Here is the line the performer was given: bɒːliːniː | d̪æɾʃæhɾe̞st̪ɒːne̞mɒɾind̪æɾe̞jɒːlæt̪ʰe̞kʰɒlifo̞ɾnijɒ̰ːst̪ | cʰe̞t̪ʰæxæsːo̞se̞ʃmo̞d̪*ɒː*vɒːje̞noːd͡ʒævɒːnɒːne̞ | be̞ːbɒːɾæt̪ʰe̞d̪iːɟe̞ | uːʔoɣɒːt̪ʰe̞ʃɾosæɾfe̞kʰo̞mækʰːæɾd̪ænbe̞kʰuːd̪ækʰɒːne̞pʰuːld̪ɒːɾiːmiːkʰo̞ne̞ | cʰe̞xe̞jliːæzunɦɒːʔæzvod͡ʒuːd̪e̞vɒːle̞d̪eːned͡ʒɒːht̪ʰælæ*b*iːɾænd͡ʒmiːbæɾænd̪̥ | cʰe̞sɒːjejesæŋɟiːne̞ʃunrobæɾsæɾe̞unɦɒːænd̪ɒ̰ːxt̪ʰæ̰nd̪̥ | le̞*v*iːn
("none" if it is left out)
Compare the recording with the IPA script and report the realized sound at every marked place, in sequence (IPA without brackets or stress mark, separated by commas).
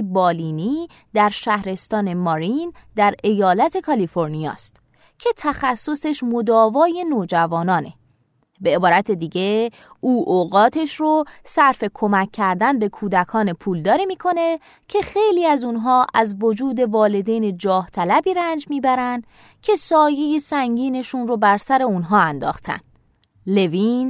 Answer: ɒː, b, v